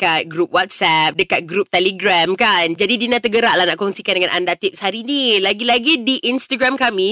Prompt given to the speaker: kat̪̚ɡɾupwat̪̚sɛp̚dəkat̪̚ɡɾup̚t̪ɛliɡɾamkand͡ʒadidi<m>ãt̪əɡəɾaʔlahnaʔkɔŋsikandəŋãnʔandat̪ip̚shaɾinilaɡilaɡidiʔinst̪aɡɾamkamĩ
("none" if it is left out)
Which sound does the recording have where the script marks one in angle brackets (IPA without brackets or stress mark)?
n